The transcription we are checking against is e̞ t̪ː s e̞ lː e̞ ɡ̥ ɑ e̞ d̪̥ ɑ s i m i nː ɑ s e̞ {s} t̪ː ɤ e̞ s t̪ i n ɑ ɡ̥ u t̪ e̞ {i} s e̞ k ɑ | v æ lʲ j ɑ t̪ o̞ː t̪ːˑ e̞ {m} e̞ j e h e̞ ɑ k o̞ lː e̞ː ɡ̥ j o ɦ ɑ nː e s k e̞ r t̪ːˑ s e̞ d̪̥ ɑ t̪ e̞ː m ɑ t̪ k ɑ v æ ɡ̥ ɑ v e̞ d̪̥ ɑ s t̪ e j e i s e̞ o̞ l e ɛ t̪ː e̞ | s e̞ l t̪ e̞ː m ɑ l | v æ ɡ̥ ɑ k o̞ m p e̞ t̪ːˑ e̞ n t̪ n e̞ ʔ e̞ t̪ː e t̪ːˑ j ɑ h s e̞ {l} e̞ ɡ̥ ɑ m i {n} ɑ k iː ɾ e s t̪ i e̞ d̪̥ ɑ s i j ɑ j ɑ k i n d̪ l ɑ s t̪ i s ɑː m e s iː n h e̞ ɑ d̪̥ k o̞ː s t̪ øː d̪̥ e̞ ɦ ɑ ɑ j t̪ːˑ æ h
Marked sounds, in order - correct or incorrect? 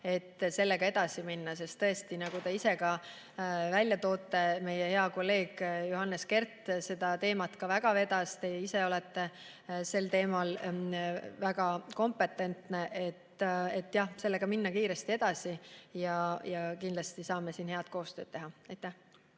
correct, correct, correct, incorrect: lː, incorrect: nː

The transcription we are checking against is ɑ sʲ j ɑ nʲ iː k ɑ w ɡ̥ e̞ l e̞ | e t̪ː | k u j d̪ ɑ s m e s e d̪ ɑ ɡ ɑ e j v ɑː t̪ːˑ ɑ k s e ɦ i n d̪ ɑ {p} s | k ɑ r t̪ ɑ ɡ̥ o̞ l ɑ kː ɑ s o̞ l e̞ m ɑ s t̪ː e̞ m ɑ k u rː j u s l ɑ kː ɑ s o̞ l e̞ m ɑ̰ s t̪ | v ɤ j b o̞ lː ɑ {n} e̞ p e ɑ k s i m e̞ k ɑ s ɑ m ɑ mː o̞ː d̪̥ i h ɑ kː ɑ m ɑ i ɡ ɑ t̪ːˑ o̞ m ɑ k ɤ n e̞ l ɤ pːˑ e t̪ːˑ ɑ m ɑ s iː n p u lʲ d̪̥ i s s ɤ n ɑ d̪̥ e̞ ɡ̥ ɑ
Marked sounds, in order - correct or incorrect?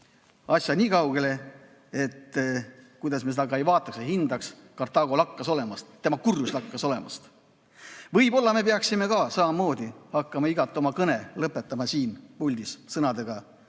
incorrect: k, incorrect: m

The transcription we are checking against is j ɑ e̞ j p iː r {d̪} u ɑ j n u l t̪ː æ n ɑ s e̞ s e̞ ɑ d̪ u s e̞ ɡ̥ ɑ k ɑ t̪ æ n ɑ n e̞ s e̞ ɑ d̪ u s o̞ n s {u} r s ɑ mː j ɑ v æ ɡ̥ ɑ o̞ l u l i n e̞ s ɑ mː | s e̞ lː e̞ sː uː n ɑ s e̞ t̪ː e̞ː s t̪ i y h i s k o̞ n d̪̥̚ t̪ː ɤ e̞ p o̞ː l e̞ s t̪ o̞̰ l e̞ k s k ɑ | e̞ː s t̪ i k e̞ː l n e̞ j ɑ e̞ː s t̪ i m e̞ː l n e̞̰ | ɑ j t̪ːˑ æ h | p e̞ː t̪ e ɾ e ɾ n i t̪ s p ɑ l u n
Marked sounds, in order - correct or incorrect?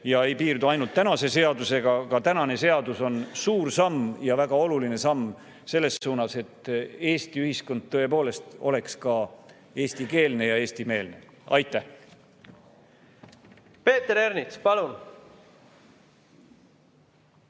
correct, incorrect: uː

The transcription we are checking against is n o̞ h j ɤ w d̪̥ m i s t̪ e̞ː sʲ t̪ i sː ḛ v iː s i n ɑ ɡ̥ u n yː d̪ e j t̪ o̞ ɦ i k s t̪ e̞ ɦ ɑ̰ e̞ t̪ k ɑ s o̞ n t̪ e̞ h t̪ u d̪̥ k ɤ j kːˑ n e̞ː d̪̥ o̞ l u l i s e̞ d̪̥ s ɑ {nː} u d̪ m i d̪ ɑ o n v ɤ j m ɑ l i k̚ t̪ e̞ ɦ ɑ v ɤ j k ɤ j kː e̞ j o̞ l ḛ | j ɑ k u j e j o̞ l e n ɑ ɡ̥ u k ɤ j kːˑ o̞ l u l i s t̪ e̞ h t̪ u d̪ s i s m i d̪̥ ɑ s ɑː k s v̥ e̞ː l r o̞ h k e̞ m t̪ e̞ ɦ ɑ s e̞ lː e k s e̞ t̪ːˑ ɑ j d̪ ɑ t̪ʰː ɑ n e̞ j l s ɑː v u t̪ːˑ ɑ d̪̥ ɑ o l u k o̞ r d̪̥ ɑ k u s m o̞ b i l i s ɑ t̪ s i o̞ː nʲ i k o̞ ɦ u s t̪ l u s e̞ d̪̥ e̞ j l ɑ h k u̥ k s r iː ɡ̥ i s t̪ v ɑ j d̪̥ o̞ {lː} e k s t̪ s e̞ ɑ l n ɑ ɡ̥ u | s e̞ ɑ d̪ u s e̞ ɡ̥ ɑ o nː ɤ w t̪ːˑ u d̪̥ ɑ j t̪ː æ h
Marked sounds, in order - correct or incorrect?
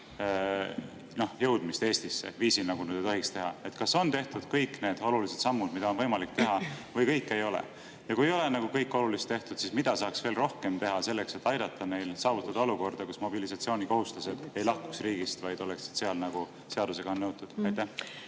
incorrect: mː, incorrect: l

